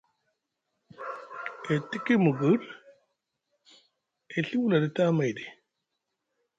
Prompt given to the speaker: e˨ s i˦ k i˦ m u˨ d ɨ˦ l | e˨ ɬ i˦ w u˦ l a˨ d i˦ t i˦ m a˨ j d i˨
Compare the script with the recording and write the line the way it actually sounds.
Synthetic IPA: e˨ t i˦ k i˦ m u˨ ɡ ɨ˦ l | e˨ ɬ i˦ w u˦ l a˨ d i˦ t a˦ m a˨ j d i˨

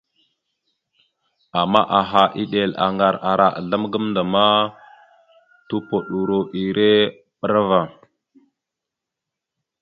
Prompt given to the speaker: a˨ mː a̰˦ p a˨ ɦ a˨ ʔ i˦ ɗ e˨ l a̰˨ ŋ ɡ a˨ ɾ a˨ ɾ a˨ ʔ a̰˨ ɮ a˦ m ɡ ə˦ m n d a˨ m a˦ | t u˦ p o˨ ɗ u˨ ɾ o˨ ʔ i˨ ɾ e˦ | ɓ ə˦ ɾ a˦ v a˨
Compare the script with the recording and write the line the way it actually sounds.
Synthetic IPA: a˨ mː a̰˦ ʔ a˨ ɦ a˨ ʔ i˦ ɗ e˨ l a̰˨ ŋ ɡ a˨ ɾ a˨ ɾ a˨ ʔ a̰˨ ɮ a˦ m ɡ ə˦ m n d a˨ m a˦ | t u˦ p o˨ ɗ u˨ ɾ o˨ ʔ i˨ ɾ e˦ | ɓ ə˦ ɾ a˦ v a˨

